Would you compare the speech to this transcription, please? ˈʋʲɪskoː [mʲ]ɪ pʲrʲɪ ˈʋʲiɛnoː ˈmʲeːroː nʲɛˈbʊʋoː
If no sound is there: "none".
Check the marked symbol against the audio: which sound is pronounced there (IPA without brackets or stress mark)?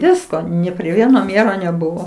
nʲ